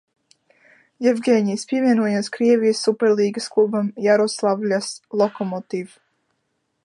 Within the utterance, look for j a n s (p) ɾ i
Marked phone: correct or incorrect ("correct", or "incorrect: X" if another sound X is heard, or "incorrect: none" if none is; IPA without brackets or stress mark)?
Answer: incorrect: k